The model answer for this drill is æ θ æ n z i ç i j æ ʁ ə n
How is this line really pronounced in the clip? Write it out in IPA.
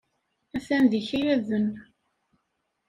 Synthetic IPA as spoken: æ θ æ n ð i ç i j æ ð ə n

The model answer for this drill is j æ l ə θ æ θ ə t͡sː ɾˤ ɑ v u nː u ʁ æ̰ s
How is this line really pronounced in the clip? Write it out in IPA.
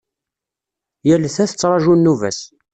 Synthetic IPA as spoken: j æ l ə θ æ θ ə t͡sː ɾˤ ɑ ʒ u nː u v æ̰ s

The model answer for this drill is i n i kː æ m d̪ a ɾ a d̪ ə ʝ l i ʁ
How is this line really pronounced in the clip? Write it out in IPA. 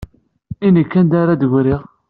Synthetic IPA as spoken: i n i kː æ n d̪ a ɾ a d̪ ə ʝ ɾ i ʁ

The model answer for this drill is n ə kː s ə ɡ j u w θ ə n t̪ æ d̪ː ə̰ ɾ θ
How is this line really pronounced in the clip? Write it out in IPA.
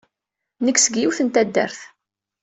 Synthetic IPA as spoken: n ə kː s ə ɡ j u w θ ə n t̪ æ d̪ː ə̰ ɾ θ

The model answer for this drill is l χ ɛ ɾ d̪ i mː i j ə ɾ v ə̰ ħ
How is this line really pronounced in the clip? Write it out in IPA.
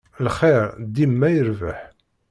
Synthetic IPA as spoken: l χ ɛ ɾ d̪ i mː æ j ə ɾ v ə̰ ħ

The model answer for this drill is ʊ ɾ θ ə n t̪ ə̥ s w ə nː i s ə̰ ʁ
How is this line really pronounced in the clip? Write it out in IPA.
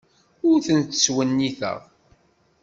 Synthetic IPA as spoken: ʊ ɾ θ ə n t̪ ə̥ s w ə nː i θ ə̰ ʁ

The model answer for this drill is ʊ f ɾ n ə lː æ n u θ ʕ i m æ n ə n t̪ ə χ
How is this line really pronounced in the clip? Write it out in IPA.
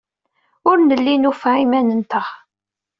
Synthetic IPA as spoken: ʊ ɾ n ə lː i n u f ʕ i m æ n ə n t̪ ə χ

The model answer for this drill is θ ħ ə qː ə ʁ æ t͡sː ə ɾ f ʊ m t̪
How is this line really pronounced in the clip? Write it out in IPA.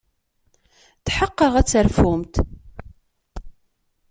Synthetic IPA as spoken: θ ħ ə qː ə ʁ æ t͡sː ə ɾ f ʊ m t̪

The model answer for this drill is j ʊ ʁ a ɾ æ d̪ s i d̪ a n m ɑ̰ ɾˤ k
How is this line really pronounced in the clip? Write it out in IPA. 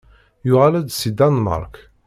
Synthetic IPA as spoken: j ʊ ʁ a l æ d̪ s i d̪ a n m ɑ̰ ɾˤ k

